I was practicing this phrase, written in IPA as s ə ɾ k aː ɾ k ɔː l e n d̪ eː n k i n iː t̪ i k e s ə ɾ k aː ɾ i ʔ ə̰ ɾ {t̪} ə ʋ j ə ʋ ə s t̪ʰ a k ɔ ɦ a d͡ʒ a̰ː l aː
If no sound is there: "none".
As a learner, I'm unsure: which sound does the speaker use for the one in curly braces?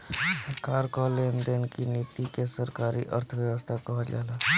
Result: t̪ʰ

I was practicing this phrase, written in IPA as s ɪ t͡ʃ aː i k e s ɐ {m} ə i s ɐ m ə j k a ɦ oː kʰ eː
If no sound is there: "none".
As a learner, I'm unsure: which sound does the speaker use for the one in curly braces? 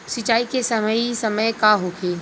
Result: m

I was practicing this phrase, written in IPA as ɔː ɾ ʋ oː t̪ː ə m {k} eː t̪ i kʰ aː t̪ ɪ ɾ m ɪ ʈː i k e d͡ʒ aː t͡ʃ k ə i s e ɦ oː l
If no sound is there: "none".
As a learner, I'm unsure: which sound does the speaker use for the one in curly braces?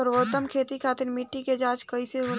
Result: kʰ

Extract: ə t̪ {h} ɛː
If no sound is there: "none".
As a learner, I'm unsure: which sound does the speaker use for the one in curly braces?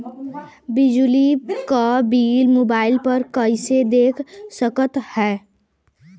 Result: h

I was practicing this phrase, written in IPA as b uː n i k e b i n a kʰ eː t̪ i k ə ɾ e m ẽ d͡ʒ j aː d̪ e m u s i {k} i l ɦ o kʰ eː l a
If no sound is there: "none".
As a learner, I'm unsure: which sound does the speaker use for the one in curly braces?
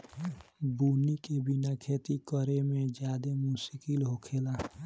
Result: k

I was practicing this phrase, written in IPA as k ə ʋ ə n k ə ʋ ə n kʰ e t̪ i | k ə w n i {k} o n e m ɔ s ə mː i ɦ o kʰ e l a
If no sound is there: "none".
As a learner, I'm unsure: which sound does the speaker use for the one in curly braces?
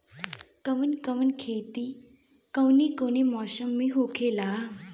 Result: k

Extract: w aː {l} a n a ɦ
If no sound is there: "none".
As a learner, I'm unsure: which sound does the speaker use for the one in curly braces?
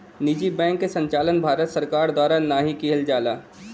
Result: ɾ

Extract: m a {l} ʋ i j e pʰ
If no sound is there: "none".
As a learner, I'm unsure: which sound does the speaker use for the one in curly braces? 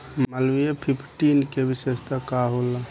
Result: l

